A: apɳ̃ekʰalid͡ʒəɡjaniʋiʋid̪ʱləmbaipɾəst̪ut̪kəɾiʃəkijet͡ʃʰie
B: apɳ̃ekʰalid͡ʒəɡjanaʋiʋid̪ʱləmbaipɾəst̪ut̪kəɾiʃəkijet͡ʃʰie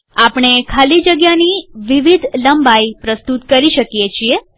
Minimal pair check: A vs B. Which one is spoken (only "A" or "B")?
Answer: A